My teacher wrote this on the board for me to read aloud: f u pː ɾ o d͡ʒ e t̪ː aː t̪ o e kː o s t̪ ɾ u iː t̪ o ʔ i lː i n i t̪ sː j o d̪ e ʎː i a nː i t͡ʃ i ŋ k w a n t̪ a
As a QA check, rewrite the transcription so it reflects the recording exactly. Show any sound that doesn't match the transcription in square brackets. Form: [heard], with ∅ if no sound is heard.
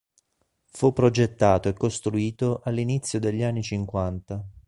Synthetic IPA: f u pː ɾ o d͡ʒ e t̪ː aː t̪ o e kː o s t̪ ɾ u iː t̪ o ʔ [a] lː i n i t̪ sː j o d̪ e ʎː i a nː i t͡ʃ i ŋ k w a n t̪ a